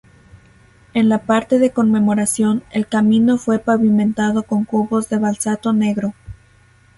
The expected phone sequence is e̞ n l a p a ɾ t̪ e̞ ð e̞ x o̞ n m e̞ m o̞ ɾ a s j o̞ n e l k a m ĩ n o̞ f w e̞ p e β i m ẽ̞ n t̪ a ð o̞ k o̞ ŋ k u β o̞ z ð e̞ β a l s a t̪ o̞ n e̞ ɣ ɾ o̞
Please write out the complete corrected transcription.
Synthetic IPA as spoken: e̞ n l a p a ɾ t̪ e̞ ð e̞ k o̞ n m e̞ m o̞ ɾ a s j o̞ n e l k a m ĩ n o̞ f w e̞ p a β i m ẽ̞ n t̪ a ð o̞ k o̞ ŋ k u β o̞ z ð e̞ β a l s a t̪ o̞ n e̞ ɣ ɾ o̞